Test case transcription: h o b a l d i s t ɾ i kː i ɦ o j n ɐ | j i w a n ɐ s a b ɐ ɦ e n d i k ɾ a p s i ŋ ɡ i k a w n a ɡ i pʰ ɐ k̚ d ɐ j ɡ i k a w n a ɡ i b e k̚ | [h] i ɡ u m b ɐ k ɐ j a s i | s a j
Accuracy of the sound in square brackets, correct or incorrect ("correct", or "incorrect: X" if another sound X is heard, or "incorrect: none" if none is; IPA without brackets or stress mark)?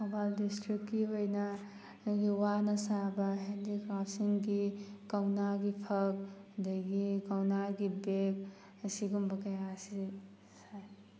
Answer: incorrect: s